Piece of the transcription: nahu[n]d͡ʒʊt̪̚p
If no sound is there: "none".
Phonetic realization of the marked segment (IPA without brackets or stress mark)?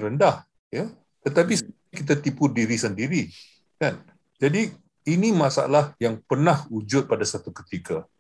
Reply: none